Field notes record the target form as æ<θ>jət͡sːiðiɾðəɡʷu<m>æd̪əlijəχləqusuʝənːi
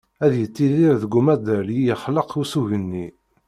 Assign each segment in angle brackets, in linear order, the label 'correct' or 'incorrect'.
incorrect: ð, correct

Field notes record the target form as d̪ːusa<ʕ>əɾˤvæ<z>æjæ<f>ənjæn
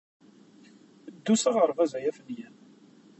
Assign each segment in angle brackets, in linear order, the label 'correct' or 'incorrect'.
incorrect: ʁ, correct, correct

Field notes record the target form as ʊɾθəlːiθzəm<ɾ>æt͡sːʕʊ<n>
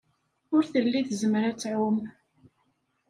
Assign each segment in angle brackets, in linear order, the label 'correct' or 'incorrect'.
correct, incorrect: m

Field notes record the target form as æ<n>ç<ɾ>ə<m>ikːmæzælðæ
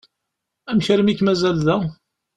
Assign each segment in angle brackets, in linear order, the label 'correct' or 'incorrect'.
incorrect: m, correct, correct

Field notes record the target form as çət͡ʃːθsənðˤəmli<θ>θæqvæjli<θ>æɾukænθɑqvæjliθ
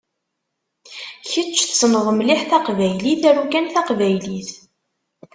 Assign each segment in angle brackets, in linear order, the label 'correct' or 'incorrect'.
incorrect: ħ, correct

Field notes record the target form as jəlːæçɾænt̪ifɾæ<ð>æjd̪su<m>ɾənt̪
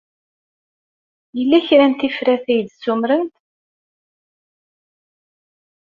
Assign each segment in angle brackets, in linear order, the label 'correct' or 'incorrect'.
incorrect: θ, correct

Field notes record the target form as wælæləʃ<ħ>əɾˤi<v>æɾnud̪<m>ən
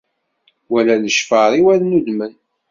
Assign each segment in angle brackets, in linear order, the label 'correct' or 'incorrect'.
incorrect: f, incorrect: w, correct

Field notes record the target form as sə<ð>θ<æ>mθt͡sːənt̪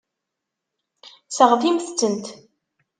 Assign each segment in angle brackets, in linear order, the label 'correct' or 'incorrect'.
incorrect: ʁ, incorrect: i

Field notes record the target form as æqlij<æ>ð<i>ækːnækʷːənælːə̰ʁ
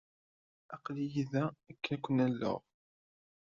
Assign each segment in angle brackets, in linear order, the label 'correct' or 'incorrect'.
incorrect: i, incorrect: æ

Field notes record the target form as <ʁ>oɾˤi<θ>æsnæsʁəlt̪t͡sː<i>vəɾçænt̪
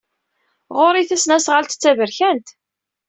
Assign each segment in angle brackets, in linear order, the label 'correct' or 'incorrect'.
correct, correct, incorrect: æ

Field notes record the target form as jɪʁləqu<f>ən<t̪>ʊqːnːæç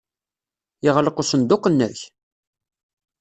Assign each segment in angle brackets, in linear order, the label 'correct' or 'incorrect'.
incorrect: s, incorrect: d̪

